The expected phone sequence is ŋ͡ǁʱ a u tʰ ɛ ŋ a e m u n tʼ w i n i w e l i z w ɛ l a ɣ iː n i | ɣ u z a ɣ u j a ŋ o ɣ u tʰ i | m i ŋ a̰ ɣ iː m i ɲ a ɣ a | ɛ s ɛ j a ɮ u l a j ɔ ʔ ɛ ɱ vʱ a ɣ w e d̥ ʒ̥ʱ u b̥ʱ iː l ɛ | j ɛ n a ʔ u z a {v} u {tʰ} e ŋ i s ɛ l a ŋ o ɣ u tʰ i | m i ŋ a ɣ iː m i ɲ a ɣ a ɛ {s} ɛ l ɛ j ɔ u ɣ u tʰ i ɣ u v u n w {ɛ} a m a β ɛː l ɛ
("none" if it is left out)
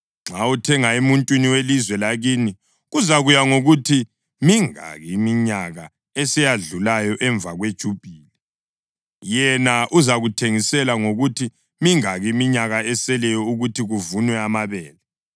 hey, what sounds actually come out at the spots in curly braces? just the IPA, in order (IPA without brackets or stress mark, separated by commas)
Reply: ɣ, tʰ, s, ɛ